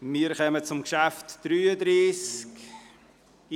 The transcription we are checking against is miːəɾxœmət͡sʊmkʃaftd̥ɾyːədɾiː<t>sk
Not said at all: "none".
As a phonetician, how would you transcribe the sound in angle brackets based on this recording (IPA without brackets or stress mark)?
none